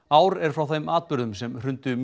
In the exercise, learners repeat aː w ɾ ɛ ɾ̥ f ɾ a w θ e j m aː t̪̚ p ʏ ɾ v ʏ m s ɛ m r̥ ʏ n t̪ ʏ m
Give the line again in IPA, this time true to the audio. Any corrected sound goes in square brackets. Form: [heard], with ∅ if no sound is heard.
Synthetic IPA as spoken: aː w ɾ ɛ ɾ̥ f ɾ a w θ e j m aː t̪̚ p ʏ ɾ [ð] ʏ m s ɛ m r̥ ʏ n t̪ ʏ m

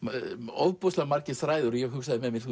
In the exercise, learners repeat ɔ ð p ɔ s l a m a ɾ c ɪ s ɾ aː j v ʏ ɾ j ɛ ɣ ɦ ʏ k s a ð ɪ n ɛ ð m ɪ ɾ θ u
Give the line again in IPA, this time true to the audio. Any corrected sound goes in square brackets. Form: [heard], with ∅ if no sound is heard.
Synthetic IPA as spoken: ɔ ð p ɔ s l a m a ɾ c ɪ [θ] ɾ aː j [ð] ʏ ɾ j ɛ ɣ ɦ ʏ k s a ð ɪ [m] ɛ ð m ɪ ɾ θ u

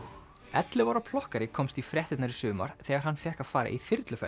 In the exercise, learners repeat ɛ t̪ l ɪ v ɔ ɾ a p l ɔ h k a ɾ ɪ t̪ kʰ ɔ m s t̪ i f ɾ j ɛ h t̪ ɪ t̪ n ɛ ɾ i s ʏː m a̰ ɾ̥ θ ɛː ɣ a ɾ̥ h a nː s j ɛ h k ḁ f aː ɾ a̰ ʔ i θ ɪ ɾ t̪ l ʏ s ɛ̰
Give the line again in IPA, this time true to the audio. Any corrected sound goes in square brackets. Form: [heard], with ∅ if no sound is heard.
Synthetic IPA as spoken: ɛ t̪ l ɪ v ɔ ɾ a [pʰ] l ɔ h k a ɾ ɪ [∅] kʰ ɔ m s t̪ i f ɾ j ɛ h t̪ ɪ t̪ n [a] ɾ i s ʏː m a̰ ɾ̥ θ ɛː ɣ a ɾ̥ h a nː [f] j ɛ h k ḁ f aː ɾ a̰ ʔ i θ ɪ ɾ t̪ l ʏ [f] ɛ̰

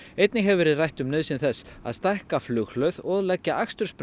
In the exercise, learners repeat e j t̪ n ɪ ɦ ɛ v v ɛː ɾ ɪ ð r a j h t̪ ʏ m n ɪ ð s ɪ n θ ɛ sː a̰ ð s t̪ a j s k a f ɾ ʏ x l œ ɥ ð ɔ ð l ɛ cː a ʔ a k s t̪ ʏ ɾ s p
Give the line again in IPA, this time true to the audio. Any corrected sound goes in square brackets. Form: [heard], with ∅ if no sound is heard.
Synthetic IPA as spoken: e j t̪ n ɪ ɦ ɛ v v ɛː ɾ ɪ ð r a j h t̪ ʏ m n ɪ ð s ɪ n θ ɛ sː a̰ ð s t̪ a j [h] k a f [l] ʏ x l œ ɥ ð ɔ ð l ɛ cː a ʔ a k s t̪ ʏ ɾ s p

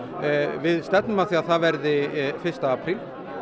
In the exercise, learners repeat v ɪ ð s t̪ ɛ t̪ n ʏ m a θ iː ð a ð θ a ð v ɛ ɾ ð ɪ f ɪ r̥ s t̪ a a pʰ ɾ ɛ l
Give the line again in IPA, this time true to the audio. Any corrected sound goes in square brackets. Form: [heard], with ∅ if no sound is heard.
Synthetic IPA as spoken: v ɪ ð s t̪ ɛ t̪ n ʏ m a θ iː [∅] a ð θ a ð v ɛ ɾ ð ɪ f ɪ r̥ s t̪ a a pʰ ɾ [i] l

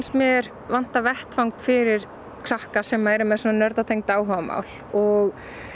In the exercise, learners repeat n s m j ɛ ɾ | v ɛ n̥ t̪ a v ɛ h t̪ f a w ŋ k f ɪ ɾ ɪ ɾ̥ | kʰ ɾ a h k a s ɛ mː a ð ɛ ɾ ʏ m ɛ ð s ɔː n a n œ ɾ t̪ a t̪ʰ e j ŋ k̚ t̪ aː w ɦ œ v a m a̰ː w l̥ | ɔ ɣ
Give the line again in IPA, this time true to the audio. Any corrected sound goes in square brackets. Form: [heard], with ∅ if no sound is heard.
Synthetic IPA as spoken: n s m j ɛ ɾ | v [a] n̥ t̪ a v ɛ h t̪ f a w ŋ k f ɪ ɾ ɪ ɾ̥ | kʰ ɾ a h k a s ɛ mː a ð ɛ ɾ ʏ m ɛ ð s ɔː n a n œ ɾ t̪ a t̪ʰ e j ŋ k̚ t̪ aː w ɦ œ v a m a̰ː w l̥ | ɔ ɣ

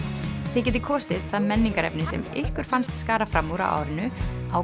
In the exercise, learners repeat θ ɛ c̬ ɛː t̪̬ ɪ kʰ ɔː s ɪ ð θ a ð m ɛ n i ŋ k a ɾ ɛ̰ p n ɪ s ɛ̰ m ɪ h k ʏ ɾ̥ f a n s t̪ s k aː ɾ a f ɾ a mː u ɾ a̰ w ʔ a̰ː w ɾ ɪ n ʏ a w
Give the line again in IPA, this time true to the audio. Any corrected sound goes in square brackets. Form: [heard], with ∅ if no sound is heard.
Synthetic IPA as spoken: θ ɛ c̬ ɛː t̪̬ ɪ kʰ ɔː s ɪ ð θ a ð m ɛ [nː] i ŋ k a ɾ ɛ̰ p n ɪ s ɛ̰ m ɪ h k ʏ ɾ̥ f a n s t̪ s k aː ɾ a f ɾ a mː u ɾ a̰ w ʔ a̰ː w ɾ ɪ n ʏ a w

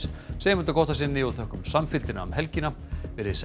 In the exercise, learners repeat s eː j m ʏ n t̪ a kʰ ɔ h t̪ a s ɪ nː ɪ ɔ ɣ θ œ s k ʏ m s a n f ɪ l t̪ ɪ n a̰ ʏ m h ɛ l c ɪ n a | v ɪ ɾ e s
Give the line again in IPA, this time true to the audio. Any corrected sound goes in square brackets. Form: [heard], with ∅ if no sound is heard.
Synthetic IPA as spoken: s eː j m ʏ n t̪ a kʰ ɔ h t̪ a s ɪ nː ɪ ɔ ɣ θ œ [h] k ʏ m s a [m] f ɪ l t̪ ɪ n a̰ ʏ m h ɛ l c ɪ n a | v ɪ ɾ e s

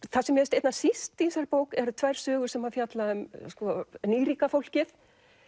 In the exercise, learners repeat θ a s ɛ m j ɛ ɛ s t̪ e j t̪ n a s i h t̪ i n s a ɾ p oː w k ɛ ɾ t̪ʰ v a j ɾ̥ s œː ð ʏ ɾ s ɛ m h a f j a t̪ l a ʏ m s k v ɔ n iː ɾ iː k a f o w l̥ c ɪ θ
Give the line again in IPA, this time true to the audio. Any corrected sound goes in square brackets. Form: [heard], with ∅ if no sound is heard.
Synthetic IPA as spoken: θ a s ɛ m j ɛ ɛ s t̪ e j t̪ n a s i [s] t̪ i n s a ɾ p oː w k ɛ ɾ t̪ʰ v a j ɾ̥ s œː [ɣ] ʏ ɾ s ɛ m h a f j a t̪ l a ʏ m s k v ɔ n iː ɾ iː k a f o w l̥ c ɪ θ

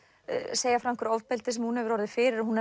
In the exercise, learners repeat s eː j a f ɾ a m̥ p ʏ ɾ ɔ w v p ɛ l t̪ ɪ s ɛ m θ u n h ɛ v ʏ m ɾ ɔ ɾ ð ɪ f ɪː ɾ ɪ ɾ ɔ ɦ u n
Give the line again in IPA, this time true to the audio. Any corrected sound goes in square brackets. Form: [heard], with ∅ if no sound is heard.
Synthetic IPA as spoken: s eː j a f ɾ a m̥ [k] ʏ ɾ ɔ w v p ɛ l t̪ ɪ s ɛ m [h] u n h ɛ v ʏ [∅] ɾ ɔ ɾ ð ɪ f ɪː ɾ ɪ ɾ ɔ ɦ u n

